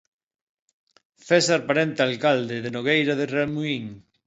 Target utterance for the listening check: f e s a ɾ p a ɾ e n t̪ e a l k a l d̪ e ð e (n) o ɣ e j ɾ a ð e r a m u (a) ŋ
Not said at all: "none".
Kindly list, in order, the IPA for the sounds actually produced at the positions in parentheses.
n, i

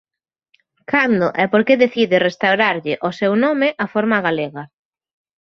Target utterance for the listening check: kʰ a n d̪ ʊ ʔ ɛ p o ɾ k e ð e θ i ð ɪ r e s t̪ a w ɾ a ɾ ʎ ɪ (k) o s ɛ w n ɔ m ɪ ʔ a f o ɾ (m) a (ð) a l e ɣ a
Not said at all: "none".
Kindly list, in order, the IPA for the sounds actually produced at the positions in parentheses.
ʔ, m, ɣ

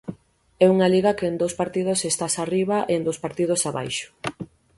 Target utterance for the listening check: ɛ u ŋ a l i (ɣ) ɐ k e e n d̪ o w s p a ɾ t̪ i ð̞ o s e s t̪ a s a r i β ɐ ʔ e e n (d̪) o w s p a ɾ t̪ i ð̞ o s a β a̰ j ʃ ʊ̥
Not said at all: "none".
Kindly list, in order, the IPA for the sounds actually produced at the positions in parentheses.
ɣ, d̪

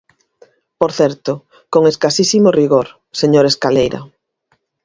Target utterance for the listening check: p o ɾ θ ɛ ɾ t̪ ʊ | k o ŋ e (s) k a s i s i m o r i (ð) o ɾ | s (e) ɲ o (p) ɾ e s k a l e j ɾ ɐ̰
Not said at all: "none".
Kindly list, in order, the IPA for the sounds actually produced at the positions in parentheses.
s, ɣ, e, none

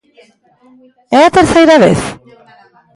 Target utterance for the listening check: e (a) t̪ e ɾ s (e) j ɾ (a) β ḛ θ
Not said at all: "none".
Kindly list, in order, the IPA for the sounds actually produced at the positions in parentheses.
a, a, a

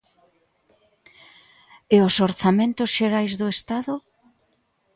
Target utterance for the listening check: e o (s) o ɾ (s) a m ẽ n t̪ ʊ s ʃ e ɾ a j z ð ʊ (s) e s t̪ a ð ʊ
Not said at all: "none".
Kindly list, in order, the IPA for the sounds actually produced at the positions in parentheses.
s, θ, none

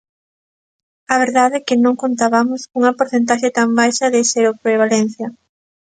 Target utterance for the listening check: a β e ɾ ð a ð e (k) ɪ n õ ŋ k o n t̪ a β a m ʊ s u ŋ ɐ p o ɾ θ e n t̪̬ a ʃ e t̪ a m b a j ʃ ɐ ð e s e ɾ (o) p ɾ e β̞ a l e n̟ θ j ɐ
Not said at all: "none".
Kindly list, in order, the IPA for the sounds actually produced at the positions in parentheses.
k, o

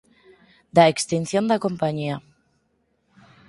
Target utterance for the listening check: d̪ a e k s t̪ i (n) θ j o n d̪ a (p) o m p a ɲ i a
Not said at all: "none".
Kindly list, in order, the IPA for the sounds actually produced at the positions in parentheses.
n, k

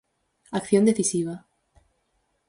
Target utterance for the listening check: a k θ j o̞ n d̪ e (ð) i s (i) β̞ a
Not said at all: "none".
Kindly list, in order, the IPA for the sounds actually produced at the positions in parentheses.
θ, i

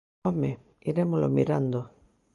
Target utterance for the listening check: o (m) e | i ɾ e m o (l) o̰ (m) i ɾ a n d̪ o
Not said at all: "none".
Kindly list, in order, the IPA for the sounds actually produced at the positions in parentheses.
m, l, m

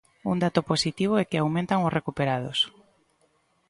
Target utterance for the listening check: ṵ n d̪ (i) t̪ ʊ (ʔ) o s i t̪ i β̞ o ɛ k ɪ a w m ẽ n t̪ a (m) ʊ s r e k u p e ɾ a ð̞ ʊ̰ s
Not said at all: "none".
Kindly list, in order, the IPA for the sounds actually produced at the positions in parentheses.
a, p, ŋ

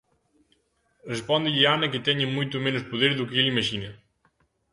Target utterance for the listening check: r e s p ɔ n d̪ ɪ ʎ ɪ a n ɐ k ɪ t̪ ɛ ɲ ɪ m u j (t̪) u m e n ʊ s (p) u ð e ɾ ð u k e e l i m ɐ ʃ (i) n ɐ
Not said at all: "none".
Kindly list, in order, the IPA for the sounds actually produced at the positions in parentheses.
t̪, p, i

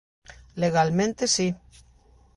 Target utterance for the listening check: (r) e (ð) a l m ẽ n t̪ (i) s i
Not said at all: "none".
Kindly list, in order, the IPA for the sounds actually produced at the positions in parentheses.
l, ɣ, e

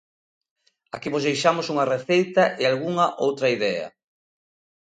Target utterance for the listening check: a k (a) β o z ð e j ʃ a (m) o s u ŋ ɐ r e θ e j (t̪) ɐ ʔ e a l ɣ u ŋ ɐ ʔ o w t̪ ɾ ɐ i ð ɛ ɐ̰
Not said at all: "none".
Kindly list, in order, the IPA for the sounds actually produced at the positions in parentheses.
i, m, t̪

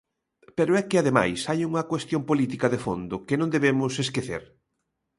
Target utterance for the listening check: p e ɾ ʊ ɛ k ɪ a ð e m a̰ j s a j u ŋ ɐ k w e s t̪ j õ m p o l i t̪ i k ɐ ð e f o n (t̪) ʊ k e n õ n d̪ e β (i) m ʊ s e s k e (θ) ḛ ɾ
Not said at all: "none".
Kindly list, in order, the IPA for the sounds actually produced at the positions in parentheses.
d̪, e, θ

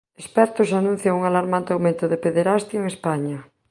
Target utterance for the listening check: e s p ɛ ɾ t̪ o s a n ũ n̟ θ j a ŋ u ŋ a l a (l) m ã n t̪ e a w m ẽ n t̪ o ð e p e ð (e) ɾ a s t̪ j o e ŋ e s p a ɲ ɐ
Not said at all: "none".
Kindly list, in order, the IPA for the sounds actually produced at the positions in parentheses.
ɾ, e

